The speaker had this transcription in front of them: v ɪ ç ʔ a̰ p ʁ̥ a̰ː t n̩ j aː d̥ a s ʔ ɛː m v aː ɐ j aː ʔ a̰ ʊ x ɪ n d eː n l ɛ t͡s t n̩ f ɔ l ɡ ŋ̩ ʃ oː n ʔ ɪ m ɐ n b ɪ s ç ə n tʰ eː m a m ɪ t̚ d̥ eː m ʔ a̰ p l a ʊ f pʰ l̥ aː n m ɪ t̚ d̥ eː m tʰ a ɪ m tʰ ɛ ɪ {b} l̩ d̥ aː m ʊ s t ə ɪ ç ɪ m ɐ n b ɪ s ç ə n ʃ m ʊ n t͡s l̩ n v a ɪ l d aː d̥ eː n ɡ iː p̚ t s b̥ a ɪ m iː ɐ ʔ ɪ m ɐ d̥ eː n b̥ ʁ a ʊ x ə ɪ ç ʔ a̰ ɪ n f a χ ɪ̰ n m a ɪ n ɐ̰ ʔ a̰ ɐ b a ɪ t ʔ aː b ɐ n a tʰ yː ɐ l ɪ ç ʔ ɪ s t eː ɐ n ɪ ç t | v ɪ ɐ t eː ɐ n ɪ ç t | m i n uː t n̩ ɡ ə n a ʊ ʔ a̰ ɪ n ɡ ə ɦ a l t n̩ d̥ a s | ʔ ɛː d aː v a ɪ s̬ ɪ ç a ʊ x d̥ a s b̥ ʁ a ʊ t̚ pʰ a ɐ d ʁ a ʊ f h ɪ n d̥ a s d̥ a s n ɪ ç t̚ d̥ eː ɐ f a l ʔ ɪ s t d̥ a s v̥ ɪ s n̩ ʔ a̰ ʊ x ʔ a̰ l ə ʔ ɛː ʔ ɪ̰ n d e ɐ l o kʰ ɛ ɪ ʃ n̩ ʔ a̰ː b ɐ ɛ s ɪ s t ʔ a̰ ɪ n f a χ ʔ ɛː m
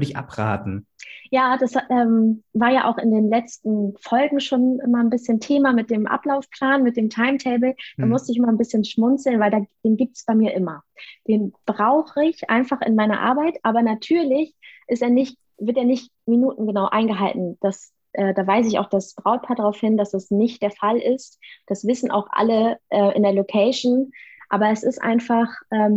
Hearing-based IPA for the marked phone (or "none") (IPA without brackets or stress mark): b